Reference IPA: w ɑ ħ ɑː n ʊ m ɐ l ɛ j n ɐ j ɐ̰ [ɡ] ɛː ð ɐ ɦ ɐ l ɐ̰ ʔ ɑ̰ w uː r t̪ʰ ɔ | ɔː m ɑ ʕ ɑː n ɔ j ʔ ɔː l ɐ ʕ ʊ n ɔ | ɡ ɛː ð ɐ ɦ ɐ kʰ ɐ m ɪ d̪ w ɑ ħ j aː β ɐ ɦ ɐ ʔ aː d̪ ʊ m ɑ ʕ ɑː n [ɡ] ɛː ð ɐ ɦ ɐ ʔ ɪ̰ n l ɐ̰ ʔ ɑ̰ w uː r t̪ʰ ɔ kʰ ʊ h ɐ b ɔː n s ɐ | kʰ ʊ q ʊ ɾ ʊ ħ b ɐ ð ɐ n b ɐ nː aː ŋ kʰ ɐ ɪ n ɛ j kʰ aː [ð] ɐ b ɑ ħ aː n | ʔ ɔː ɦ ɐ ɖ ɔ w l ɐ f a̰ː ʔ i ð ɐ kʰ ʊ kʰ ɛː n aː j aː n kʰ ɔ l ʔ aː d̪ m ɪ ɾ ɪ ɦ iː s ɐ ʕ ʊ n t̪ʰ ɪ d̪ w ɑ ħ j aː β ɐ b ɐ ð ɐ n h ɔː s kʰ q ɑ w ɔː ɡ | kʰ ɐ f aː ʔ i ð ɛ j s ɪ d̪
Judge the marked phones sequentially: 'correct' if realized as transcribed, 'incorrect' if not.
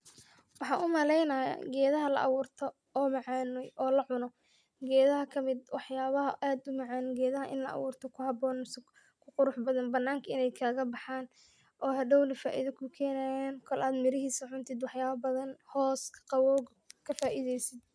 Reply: correct, correct, incorrect

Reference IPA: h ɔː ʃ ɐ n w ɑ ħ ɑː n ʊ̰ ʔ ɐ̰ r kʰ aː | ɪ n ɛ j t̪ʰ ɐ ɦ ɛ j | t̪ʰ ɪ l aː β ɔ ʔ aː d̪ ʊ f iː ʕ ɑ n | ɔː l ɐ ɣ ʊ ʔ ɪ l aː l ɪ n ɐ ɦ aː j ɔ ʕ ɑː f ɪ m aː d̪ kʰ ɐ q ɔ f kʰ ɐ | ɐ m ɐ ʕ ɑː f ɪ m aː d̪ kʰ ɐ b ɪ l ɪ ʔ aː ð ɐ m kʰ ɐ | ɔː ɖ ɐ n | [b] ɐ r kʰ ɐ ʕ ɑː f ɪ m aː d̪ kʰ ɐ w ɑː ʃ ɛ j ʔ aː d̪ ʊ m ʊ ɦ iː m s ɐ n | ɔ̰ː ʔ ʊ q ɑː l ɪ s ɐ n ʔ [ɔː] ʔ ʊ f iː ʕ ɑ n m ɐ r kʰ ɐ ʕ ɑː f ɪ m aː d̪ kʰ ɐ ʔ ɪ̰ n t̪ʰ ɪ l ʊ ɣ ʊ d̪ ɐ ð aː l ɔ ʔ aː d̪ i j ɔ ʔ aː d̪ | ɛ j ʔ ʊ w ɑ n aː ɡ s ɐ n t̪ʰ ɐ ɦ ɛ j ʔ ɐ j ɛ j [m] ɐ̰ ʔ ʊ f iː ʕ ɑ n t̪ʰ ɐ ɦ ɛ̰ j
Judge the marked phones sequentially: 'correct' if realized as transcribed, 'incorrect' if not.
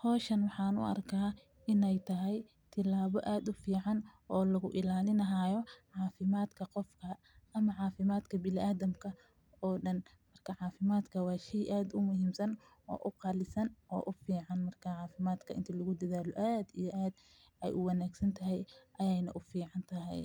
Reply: incorrect, correct, incorrect

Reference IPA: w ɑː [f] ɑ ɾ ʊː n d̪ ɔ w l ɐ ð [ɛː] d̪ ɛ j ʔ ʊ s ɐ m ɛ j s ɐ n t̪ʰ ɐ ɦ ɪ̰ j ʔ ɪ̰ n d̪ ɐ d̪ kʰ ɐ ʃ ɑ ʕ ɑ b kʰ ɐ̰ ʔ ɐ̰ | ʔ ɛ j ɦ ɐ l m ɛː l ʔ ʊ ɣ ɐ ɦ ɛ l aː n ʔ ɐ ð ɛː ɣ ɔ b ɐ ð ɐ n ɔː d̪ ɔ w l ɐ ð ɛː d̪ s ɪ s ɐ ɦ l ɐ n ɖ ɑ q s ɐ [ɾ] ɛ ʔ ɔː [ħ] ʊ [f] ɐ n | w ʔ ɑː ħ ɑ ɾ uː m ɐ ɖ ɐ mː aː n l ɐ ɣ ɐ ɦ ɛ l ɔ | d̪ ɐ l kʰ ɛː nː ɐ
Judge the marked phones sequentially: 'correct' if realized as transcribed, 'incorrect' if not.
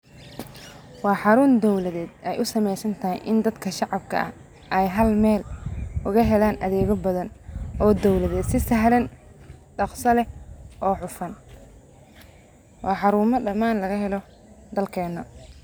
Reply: incorrect, correct, incorrect, correct, correct

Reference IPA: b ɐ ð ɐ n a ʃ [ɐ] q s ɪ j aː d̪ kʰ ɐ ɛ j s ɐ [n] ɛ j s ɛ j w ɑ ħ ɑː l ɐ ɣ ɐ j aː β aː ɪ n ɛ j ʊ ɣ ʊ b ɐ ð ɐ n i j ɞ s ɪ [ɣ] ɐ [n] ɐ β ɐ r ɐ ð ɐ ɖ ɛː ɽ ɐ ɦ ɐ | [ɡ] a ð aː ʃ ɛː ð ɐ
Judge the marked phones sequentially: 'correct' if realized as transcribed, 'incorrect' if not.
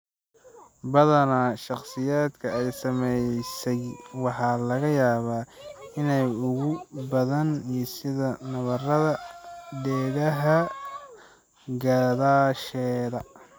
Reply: incorrect, incorrect, incorrect, correct, correct

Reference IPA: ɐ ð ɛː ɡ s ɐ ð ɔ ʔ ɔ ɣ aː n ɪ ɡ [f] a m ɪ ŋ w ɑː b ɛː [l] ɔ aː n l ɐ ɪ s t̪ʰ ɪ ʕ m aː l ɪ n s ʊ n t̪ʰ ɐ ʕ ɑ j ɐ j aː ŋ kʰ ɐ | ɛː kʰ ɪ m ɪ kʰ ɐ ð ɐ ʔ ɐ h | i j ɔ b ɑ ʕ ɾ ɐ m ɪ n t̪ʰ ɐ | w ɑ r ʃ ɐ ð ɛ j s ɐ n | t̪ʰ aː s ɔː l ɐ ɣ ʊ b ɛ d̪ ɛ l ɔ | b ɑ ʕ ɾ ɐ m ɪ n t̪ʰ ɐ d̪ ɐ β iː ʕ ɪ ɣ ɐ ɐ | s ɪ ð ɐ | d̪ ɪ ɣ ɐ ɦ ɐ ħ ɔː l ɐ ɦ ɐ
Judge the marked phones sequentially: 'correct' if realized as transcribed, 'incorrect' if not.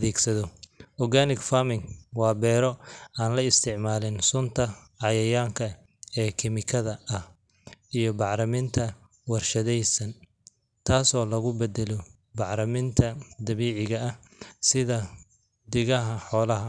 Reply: correct, incorrect

